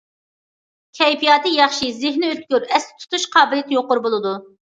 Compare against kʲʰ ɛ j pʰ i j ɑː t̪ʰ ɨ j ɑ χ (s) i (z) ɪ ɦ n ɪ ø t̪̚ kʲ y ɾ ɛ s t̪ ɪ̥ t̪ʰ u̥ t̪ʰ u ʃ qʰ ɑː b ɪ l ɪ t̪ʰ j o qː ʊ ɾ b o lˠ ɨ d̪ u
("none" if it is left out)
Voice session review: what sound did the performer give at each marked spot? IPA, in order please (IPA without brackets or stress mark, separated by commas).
ʃ, z